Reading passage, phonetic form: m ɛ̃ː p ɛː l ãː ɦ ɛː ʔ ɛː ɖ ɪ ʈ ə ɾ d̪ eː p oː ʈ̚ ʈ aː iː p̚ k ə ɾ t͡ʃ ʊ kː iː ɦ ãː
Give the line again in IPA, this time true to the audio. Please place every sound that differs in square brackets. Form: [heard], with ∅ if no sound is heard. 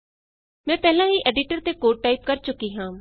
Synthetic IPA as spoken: m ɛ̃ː p ɛː l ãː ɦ [iː] ʔ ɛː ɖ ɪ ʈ ə ɾ [t̪] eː [k] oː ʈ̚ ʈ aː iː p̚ k ə ɾ t͡ʃ ʊ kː iː ɦ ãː

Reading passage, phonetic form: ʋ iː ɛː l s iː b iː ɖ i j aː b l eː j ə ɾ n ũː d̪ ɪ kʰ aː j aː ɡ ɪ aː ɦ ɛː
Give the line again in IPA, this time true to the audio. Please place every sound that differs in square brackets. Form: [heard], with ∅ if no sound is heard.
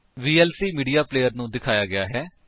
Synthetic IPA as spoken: ʋ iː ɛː l s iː [m] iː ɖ i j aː [p] l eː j ə ɾ n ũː d̪ ɪ kʰ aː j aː ɡ ɪ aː ɦ ɛː

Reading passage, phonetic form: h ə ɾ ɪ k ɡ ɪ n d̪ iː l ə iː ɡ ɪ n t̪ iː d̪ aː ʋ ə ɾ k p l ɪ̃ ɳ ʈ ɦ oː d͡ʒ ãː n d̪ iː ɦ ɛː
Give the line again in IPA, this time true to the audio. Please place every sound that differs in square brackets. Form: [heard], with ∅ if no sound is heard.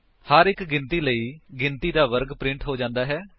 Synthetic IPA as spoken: h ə ɾ ɪ k ɡ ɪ n [t̪] iː l ə iː ɡ ɪ n t̪ iː d̪ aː ʋ ə ɾ [ɡ] p [ɾ] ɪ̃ ɳ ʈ ɦ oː d͡ʒ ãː n d̪ [aː] ɦ ɛː

